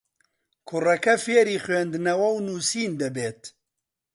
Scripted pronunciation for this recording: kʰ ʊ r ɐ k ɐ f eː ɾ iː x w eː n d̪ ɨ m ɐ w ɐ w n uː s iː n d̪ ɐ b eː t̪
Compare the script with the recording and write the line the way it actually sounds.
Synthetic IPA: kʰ ʊ r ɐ k ɐ f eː ɾ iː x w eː n d̪ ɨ n ɐ w ɐ w n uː s iː n d̪ ɐ b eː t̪